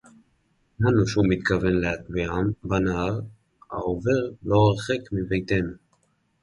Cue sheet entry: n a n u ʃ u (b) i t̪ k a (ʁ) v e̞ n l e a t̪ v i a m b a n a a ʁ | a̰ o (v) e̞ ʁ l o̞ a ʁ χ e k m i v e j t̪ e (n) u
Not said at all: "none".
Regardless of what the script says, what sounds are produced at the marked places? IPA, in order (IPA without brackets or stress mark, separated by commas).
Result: m, none, v, n